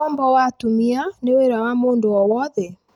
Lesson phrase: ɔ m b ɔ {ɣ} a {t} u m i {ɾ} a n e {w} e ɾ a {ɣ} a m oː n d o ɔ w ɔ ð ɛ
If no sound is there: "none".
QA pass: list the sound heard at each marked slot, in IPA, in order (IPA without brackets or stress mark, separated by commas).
w, t, none, w, w